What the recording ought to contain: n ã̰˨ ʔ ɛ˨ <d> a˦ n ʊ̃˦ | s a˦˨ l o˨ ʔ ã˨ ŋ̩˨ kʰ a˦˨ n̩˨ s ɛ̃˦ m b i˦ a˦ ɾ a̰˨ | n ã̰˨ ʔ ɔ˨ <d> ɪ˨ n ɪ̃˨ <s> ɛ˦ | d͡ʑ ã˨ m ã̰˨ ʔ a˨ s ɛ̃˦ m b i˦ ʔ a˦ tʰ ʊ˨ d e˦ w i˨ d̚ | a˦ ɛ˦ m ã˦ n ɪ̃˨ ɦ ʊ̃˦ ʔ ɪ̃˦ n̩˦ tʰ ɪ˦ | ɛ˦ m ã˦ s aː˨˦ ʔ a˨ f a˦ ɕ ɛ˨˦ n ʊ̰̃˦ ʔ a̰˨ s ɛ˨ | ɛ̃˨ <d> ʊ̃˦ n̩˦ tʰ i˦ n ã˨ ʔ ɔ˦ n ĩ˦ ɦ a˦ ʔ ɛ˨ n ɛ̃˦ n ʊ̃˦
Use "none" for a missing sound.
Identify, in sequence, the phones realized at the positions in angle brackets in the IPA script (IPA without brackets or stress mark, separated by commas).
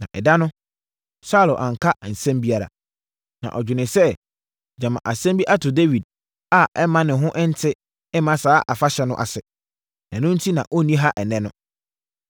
d, d͡ʑᶣ, s, n